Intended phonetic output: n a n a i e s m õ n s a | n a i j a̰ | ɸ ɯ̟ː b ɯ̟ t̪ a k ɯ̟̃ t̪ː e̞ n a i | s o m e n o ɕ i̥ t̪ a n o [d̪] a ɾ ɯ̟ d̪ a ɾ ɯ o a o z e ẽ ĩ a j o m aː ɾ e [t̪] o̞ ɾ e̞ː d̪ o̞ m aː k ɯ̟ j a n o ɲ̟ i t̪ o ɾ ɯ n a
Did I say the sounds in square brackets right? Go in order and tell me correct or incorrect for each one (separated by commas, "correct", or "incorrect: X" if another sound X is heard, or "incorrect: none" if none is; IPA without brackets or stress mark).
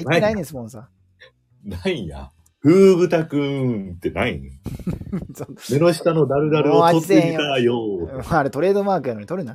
correct, correct